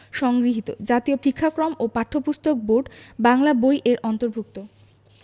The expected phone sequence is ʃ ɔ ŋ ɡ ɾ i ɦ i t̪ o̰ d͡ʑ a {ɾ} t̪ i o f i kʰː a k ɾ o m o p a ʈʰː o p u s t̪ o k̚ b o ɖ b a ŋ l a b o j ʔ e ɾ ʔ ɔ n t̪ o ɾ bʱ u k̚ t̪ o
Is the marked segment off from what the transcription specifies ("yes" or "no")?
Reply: yes